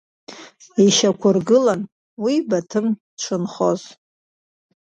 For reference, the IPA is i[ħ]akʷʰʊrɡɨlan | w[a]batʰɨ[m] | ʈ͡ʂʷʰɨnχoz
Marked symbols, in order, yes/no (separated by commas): no, no, yes